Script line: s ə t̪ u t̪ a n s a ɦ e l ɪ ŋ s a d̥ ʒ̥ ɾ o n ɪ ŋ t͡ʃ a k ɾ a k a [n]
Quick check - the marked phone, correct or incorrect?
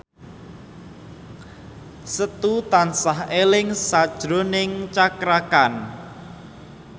correct